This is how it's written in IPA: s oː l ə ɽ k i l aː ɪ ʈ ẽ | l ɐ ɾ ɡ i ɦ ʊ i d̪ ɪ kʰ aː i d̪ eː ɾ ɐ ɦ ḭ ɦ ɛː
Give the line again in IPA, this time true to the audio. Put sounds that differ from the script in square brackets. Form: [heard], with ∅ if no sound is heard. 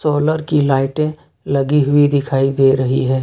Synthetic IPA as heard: s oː l ə [ɾ] k i l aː ɪ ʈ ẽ | l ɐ [∅] ɡ i ɦ ʊ i d̪ ɪ kʰ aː i d̪ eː ɾ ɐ ɦ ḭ ɦ ɛː